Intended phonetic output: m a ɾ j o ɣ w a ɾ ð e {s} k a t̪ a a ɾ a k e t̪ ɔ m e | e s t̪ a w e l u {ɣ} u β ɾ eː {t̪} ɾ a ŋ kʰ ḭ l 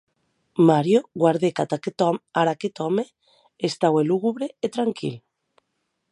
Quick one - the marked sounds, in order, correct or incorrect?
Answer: incorrect: none, correct, correct

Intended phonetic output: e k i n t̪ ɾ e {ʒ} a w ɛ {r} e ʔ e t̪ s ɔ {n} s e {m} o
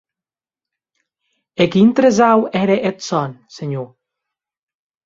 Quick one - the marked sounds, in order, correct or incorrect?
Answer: incorrect: z, incorrect: ɾ, correct, incorrect: ɲ

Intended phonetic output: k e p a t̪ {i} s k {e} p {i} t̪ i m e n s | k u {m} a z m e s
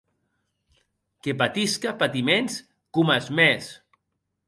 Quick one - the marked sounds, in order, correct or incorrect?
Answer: correct, incorrect: a, incorrect: a, correct

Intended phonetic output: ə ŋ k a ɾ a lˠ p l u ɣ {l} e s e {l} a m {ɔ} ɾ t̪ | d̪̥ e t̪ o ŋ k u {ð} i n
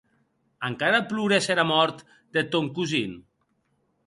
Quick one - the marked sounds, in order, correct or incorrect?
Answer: incorrect: ɾ, incorrect: ɾ, correct, incorrect: z

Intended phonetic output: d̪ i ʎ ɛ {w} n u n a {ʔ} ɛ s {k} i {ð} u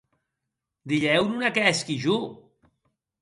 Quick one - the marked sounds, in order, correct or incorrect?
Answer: correct, incorrect: k, correct, incorrect: ʒ

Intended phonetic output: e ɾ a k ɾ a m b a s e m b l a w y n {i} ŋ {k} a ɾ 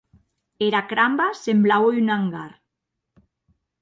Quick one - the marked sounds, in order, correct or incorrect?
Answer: incorrect: a, incorrect: ɡ

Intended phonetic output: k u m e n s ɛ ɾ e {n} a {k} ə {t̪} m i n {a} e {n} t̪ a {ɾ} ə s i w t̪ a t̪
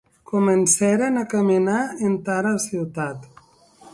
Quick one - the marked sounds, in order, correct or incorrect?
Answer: correct, correct, incorrect: none, correct, correct, correct

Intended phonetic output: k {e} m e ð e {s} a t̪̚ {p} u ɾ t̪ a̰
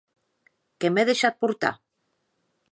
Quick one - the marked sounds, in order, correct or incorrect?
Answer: correct, incorrect: ʃ, correct

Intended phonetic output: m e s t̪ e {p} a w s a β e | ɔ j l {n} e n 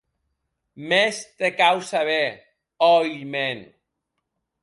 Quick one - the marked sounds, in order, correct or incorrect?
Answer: incorrect: k, incorrect: m

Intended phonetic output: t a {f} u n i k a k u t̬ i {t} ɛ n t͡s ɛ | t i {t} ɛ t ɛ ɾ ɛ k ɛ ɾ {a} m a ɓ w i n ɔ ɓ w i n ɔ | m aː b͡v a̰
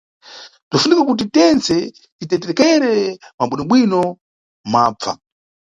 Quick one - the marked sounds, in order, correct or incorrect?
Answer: correct, correct, correct, incorrect: ɛ

